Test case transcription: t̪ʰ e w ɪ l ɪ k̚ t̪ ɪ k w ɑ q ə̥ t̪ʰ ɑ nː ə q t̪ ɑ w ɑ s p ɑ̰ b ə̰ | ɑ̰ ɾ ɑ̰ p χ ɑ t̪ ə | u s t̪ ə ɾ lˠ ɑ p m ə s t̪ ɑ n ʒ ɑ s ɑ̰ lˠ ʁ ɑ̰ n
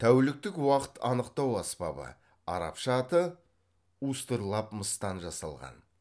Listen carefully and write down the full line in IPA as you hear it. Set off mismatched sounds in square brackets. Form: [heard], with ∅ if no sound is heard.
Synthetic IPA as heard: t̪ʰ [æ] w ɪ l ɪ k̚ t̪ ɪ k w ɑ q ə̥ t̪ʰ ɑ [n] ə q t̪ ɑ w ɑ s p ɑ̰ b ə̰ | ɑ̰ ɾ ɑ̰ p [ʃ] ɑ t̪ ə | u s t̪ ə ɾ lˠ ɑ p m ə s t̪ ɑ n ʒ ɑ s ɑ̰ lˠ ʁ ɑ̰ n